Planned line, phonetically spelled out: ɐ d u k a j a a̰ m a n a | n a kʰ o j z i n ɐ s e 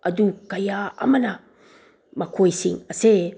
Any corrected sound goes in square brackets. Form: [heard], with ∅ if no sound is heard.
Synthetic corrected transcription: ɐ d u k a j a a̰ m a n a | [m] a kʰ o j [s] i [ŋ] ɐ s e